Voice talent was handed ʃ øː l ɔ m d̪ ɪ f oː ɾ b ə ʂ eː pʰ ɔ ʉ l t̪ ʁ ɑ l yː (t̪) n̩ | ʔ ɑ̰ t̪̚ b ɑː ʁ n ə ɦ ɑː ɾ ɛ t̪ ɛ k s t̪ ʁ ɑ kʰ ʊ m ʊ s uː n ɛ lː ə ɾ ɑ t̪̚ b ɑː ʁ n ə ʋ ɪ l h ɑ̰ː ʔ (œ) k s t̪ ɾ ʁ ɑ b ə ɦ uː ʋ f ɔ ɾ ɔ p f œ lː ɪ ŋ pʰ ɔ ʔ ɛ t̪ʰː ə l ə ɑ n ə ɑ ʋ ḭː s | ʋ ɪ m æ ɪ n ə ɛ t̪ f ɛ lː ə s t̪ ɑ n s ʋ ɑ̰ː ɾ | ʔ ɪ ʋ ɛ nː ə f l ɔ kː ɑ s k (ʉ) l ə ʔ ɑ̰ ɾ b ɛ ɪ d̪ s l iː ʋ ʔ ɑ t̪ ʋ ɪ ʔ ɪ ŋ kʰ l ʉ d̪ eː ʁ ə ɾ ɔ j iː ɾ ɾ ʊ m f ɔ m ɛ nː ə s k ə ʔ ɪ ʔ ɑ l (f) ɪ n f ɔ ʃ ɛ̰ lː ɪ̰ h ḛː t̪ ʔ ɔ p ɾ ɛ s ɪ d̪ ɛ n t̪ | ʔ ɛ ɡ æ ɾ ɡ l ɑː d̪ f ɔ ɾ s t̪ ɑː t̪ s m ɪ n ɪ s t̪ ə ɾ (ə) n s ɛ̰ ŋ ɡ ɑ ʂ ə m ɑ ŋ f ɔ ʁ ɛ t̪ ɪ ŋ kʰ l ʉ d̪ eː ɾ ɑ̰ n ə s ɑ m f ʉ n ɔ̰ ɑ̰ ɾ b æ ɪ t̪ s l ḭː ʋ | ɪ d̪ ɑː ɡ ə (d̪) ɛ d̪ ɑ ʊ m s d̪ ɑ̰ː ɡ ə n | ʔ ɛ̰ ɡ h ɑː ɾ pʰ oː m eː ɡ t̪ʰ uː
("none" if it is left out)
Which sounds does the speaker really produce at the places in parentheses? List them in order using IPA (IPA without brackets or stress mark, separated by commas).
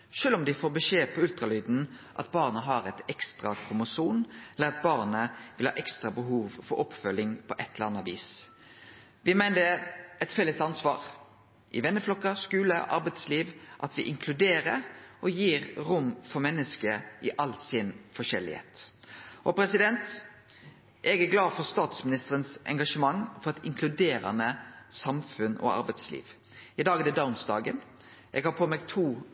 d̪, ɛ, ʉː, s, ə, d̪